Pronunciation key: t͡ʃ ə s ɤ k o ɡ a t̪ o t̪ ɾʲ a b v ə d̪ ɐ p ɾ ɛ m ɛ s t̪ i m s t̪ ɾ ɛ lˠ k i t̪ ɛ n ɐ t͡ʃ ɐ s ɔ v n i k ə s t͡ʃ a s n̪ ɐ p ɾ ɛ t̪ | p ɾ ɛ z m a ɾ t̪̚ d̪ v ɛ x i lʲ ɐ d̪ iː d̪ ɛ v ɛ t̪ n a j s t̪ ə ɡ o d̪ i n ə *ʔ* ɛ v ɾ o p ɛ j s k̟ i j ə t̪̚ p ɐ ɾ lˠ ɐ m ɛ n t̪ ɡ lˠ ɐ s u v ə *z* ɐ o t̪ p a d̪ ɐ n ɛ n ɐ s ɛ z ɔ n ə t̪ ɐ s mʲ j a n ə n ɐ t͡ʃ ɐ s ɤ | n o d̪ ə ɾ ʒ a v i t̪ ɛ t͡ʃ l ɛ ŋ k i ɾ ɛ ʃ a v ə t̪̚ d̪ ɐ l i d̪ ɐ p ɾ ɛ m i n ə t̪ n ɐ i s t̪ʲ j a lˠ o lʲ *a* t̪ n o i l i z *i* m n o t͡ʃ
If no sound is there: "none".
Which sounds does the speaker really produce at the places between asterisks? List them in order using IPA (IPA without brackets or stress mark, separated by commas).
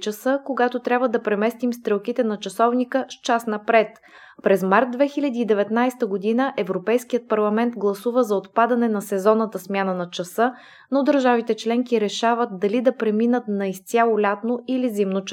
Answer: ʔ, z, a, i